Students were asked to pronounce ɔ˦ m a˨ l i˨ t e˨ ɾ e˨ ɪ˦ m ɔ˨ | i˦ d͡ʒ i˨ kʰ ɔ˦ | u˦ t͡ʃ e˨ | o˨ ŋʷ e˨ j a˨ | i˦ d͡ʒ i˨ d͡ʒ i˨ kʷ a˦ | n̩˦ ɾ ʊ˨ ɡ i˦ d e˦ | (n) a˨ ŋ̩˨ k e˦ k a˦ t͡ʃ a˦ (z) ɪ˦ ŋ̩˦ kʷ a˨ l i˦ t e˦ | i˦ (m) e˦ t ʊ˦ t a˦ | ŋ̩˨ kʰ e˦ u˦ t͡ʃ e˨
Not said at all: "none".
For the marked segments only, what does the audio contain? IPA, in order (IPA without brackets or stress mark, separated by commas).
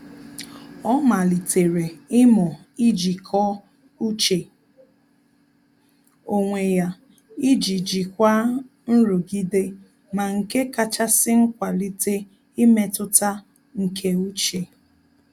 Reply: m, s, m